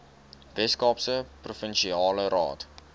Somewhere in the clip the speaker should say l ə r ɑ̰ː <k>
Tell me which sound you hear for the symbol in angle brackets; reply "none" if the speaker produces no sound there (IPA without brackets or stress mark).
t